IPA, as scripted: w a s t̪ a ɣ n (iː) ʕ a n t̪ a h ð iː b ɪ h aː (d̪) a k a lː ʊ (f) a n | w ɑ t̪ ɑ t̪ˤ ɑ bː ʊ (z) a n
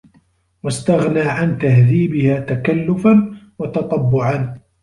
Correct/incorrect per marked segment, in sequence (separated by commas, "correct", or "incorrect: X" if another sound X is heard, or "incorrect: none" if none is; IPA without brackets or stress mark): incorrect: aː, incorrect: t̪, correct, incorrect: ʕ